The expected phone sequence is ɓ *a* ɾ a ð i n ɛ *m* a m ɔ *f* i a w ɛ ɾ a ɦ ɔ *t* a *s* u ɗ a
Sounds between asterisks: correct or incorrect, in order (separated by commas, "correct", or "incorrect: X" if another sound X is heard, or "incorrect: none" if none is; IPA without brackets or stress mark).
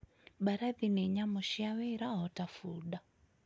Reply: correct, incorrect: ɲ, incorrect: ʃ, correct, incorrect: f